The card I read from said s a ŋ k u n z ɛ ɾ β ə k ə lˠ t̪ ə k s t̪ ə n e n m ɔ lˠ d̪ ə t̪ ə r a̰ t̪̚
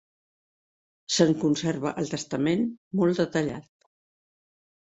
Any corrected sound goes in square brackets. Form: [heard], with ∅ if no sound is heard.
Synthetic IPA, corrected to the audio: s [ə] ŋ k u n [s] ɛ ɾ β ə [ʔ] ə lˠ t̪ ə [∅] s t̪ ə [m] e n m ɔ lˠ d̪ ə t̪ ə [ʎ] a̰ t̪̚